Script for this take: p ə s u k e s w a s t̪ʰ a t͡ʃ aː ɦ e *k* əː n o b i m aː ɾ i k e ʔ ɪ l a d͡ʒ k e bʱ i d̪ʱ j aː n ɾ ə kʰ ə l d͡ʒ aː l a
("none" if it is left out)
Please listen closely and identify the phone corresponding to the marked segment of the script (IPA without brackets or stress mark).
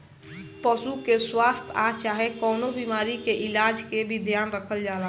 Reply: k